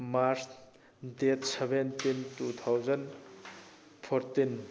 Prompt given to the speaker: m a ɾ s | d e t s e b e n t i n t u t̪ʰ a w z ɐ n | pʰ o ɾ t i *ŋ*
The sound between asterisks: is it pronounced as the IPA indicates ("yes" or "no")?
no